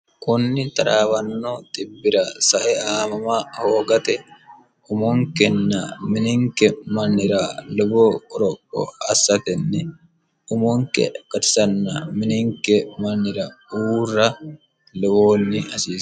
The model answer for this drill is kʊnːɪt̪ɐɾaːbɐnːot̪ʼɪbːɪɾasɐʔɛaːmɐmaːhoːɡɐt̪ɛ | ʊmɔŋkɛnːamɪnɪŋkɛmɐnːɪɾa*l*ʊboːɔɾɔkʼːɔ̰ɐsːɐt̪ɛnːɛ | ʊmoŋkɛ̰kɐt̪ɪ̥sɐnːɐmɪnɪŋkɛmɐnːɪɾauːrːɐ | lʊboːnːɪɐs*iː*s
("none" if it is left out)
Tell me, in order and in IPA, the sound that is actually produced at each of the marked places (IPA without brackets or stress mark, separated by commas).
l, iː